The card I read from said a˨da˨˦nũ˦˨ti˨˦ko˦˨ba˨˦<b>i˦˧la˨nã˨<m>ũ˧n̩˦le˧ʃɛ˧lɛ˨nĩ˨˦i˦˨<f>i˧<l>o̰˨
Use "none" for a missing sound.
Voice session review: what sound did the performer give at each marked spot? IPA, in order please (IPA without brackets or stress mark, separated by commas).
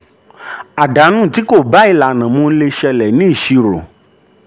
none, m, ʃ, ɾ